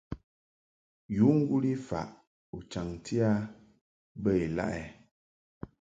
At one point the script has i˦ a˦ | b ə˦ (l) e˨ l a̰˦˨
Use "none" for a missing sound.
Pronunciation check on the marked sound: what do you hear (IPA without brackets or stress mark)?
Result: none